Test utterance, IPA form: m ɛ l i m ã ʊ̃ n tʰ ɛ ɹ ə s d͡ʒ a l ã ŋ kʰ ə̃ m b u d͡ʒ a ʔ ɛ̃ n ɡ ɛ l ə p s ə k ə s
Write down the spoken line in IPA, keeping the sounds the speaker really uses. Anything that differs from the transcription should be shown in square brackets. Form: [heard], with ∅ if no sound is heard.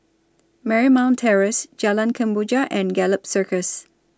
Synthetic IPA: m ɛ [ɹ] i m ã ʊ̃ n tʰ ɛ ɹ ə s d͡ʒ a l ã [n] kʰ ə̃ m b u d͡ʒ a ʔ ɛ̃ n ɡ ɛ l ə p s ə k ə s